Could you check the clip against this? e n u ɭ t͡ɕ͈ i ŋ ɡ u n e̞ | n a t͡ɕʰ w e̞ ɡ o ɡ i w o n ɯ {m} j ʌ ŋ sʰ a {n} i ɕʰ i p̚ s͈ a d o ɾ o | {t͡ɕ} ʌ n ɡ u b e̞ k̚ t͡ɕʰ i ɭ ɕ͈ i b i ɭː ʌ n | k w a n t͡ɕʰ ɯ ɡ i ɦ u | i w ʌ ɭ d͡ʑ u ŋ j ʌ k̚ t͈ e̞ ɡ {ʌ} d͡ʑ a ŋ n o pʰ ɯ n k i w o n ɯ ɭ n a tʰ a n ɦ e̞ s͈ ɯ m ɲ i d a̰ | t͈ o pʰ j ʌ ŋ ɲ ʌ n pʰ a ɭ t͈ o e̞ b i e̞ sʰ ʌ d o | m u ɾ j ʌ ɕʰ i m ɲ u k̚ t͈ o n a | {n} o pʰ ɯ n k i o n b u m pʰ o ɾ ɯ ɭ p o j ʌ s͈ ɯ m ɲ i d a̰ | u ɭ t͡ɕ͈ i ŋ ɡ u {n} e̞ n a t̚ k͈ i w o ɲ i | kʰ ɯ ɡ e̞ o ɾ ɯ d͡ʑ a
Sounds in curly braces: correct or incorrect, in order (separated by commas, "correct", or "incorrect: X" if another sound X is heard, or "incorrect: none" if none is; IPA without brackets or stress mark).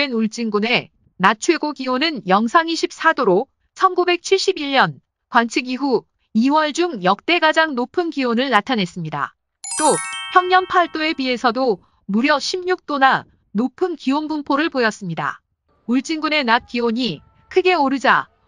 incorrect: n, incorrect: ŋ, incorrect: t͡ɕʰ, incorrect: a, correct, correct